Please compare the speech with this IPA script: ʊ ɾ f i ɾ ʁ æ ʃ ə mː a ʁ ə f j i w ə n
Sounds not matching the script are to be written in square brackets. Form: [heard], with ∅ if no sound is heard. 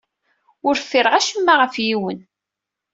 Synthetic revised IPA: ʊ ɾ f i ɾ ʁ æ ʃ ə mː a ʁ ə f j i w ə n